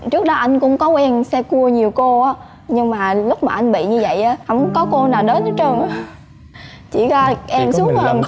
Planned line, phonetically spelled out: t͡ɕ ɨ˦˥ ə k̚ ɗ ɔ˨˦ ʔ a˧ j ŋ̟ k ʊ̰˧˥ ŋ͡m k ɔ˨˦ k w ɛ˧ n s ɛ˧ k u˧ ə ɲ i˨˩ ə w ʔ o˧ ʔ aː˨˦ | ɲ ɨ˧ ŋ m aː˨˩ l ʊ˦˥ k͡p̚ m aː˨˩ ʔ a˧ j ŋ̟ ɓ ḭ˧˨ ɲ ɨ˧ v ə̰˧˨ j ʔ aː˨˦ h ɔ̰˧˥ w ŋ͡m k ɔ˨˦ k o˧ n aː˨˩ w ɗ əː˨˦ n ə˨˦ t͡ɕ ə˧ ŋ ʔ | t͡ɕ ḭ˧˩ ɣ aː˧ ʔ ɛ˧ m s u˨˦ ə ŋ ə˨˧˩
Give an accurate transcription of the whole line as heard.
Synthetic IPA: t͡ɕ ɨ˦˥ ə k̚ ɗ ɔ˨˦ ʔ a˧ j ŋ̟ k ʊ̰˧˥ ŋ͡m k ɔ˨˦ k w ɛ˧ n s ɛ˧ k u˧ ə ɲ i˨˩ ə w k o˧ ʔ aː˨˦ | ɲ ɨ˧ ŋ m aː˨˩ l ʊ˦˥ k͡p̚ m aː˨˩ ʔ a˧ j ŋ̟ ɓ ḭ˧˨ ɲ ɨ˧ v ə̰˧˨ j ʔ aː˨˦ h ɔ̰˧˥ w ŋ͡m k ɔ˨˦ k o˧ n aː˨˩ w ɗ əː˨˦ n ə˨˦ t͡ɕ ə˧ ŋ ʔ | t͡ɕ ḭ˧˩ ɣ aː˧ ʔ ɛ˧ m s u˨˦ ə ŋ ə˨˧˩